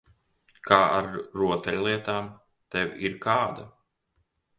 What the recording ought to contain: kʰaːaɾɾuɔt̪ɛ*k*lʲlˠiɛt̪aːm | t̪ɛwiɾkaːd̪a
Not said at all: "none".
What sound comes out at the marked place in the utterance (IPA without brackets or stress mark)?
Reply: none